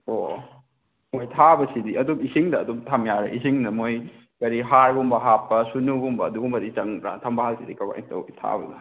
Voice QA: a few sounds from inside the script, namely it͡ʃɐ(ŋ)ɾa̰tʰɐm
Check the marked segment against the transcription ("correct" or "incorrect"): correct